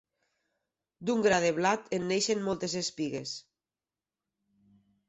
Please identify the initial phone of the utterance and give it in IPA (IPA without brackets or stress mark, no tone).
d̪